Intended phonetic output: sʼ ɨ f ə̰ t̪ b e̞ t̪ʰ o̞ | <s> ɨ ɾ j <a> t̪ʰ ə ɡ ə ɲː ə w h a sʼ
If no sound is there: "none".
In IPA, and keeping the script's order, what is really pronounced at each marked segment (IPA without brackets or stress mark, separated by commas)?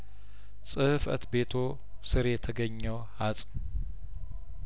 s, ɛ